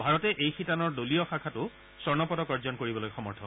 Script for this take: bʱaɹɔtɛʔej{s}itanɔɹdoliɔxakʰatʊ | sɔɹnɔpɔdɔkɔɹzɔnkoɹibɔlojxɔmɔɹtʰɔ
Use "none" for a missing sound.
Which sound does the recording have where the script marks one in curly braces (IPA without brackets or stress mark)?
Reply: x